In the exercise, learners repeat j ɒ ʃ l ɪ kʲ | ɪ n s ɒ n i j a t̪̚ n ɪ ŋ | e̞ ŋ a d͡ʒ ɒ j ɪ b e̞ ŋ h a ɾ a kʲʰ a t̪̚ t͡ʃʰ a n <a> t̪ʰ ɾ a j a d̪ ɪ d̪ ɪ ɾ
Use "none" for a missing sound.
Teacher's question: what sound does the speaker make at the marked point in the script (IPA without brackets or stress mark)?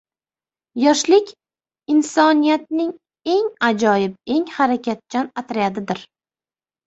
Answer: a